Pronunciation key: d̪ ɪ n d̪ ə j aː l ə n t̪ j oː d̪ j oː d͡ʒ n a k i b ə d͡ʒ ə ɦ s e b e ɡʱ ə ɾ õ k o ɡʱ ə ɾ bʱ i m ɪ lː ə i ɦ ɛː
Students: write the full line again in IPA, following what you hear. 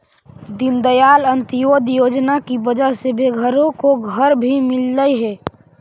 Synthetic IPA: d̪ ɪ n d̪ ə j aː l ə n t̪ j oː d̪ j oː d͡ʒ n a k i b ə d͡ʒ ə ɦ s e b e ɡʱ ə ɾ õ k o ɡʱ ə ɾ bʱ i m ɪ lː ə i ɦ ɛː